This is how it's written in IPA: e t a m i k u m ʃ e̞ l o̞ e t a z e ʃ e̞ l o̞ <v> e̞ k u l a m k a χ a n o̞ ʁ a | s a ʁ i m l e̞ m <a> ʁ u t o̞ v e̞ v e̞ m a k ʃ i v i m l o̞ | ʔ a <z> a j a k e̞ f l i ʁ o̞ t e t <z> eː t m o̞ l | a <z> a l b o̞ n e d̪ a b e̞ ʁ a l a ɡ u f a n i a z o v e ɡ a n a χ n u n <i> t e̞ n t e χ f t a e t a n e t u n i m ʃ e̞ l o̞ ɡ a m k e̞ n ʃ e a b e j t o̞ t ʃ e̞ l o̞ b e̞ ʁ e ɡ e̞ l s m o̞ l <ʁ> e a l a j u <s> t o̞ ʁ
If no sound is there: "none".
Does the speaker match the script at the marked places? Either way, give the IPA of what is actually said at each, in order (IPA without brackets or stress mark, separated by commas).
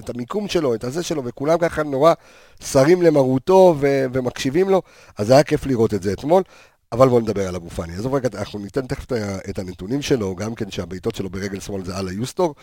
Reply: v, a, z, z, v, i, z, s